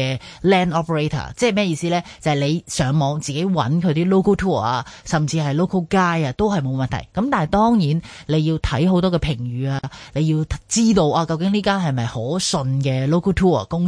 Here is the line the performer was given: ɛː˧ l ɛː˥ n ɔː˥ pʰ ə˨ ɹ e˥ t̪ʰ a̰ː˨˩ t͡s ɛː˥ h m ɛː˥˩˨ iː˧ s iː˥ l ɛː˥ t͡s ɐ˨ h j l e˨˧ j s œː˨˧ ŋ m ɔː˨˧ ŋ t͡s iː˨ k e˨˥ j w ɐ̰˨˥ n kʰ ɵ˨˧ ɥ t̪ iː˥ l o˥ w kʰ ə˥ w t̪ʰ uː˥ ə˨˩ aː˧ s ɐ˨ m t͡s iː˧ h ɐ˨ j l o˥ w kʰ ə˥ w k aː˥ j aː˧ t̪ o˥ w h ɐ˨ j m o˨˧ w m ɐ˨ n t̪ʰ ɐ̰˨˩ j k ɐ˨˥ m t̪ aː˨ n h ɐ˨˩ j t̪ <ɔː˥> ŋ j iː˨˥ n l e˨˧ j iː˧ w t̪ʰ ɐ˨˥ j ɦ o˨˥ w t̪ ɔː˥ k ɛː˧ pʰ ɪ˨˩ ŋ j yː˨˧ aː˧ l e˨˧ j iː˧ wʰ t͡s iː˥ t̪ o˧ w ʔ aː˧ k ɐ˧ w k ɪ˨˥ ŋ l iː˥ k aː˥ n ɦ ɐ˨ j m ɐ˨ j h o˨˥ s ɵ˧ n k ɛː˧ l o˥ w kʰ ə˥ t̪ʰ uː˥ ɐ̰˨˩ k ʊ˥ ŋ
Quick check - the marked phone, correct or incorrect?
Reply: correct